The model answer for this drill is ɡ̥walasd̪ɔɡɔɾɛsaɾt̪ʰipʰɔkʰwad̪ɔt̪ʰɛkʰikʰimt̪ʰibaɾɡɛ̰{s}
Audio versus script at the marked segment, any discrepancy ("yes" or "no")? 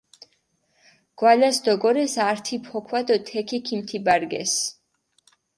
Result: no